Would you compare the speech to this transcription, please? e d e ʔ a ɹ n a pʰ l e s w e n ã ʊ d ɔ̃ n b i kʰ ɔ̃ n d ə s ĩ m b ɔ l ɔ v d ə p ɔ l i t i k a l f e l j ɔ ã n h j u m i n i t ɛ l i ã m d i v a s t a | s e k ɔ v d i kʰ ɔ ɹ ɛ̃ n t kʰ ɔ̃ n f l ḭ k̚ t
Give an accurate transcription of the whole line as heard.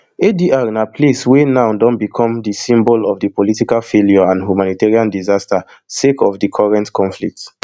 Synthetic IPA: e d i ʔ a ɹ n a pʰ l e s w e n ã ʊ d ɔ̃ n b i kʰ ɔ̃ m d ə s ĩ m b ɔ l ɔ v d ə p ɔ l i t i k a l f e l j ɔ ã n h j u m a n i t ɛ ɹ i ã n d i z a s t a | s e k ɔ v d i kʰ ɔ ɹ ɛ̃ n t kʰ ɔ̃ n f l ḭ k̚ t